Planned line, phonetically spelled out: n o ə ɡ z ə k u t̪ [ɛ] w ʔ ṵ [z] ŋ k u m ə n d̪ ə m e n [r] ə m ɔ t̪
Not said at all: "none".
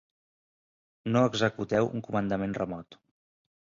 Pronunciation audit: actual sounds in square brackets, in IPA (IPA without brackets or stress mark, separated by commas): ɛ, none, r